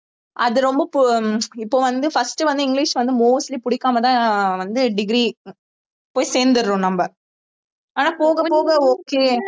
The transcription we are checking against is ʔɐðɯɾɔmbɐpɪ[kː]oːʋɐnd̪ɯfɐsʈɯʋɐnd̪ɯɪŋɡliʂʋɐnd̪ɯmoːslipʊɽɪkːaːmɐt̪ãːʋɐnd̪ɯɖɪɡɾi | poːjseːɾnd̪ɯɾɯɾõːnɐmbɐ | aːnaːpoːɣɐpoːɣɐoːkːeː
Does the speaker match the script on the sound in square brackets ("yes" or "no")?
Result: no